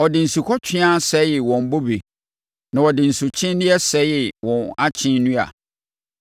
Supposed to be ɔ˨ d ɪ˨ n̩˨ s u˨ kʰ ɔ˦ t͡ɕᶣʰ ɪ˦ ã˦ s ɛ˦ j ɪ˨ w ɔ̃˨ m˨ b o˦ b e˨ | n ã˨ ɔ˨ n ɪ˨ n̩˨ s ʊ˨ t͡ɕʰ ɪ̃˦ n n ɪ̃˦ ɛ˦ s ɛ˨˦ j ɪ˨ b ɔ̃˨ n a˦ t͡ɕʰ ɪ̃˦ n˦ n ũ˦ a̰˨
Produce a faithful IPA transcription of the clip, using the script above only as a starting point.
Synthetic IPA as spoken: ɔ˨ d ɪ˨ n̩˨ s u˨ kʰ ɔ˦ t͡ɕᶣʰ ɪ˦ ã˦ s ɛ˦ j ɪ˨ w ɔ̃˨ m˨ b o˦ b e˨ | n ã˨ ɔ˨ d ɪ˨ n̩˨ s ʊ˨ t͡ɕʰ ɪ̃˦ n n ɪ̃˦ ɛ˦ s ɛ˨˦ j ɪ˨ w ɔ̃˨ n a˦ t͡ɕʰ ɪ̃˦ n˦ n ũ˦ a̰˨